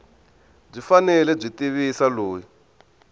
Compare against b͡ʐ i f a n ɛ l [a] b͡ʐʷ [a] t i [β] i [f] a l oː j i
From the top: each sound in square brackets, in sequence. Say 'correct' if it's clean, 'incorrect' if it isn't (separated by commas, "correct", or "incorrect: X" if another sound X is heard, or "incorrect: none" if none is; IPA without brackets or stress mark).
incorrect: ɛ, incorrect: i, correct, incorrect: s